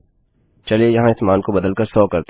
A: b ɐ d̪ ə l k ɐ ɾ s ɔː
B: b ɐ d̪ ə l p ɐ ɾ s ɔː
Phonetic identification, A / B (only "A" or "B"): A